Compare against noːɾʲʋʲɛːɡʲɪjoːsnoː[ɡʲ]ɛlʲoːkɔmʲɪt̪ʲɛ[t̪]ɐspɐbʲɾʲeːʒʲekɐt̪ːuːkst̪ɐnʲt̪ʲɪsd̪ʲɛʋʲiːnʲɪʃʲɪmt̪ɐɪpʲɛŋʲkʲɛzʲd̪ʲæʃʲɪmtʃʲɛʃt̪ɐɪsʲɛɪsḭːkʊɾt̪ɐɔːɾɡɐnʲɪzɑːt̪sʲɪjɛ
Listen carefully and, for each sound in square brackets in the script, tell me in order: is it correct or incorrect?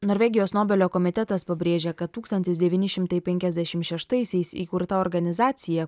incorrect: bʲ, correct

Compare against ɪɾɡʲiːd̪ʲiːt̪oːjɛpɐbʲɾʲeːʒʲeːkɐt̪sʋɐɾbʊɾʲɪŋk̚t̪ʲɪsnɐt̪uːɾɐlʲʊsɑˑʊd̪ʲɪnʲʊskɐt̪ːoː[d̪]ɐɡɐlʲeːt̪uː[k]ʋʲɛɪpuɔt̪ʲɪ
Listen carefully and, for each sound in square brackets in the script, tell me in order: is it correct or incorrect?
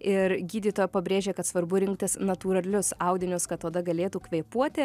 correct, correct

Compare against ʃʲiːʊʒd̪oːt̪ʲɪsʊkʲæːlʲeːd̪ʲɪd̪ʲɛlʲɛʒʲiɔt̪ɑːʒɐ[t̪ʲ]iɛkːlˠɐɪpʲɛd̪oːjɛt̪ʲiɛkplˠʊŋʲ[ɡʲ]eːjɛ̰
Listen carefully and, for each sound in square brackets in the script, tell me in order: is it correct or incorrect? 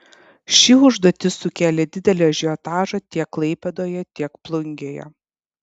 correct, correct

